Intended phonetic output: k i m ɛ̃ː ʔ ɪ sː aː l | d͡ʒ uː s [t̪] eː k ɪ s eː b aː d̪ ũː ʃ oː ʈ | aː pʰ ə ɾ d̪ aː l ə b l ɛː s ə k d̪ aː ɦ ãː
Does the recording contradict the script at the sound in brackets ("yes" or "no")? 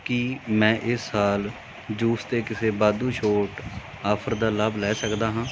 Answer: no